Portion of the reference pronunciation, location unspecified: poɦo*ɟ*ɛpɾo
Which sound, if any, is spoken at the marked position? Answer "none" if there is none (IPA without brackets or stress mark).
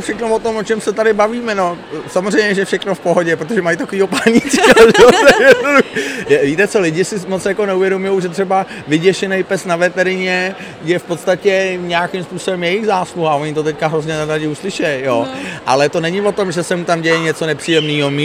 ɟ